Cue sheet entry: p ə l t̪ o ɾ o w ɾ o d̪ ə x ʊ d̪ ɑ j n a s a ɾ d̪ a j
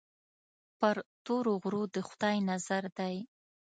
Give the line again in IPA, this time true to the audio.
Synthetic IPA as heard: p ə ɾ t̪ o ɾ o ɣ ɾ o d̪ ə x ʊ d̪ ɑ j n a z a ɾ d̪ a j